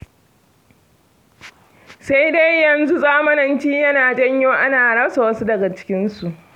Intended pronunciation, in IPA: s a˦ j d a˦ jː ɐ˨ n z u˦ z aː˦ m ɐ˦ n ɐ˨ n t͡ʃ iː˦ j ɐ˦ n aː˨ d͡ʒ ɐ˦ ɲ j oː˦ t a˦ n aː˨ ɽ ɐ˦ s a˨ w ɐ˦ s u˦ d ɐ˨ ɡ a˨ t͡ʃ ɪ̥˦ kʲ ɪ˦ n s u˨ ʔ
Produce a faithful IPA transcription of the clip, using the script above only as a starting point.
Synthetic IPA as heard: s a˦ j d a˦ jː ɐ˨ n z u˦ z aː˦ m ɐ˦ n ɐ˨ n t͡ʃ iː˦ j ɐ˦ n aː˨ d͡ʒ ɐ˦ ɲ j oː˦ ʔ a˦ n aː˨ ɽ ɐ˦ s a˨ w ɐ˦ s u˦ d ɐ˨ ɡ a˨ t͡ʃ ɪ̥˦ kʲ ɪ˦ n s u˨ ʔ